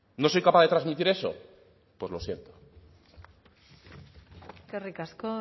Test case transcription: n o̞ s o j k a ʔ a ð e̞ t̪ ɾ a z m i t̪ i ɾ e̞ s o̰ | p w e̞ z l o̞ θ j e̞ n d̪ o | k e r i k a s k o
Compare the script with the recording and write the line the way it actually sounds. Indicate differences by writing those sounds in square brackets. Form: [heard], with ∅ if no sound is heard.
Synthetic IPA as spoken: n o̞ s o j k a [p] a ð e̞ t̪ ɾ a z m i t̪ i ɾ e̞ s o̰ | p w e̞ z l o̞ [s] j e̞ n [t̪] o | k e r i k a s k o